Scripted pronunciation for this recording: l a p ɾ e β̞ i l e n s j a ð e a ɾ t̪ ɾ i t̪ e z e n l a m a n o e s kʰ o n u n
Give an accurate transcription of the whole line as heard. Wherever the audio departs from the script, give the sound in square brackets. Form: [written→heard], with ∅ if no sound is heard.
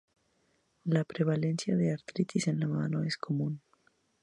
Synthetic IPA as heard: l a p ɾ e β̞ [i→a] l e n s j a ð e a ɾ t̪ ɾ i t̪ [e→i] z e n l a m a n o e s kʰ o [n→m] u n